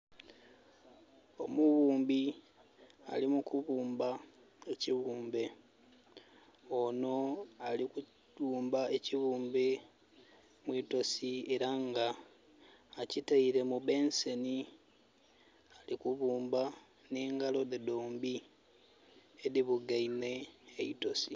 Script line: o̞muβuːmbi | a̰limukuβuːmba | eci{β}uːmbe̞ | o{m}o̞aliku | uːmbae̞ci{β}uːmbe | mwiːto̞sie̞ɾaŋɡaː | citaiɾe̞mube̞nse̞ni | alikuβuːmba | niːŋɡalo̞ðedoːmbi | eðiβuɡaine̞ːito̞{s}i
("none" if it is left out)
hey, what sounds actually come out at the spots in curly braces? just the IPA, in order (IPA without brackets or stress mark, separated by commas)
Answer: β, n, β, s